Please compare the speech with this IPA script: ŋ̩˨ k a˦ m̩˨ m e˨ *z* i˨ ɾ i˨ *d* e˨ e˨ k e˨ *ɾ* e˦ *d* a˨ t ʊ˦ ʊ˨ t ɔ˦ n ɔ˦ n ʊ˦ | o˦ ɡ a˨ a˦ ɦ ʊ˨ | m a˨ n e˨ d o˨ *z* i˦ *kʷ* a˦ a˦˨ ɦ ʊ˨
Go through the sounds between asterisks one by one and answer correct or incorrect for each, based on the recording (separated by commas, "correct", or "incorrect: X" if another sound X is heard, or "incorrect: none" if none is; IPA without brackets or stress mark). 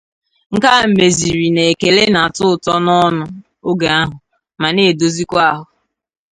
correct, incorrect: n, incorrect: l, incorrect: n, correct, correct